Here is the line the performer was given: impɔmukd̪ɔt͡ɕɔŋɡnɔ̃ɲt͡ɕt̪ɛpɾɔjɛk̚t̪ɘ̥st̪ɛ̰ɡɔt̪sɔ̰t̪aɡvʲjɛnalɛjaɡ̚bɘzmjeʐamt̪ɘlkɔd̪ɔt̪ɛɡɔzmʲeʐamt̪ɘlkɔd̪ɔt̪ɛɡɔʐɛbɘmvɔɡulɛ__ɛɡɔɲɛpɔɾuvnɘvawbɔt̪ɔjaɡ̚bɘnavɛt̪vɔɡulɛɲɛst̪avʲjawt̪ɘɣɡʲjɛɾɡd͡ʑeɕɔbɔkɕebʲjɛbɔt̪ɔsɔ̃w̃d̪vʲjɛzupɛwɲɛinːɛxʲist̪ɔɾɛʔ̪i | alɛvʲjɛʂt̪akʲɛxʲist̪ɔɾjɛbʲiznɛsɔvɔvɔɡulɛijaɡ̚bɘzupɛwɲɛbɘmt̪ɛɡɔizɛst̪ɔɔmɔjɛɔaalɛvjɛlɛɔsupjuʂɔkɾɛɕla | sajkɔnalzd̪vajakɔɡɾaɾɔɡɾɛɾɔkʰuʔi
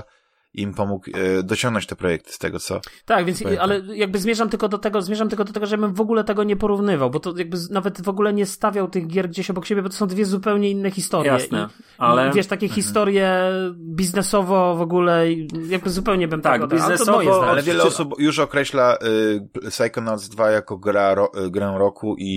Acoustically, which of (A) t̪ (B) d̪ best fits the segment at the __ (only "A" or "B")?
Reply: A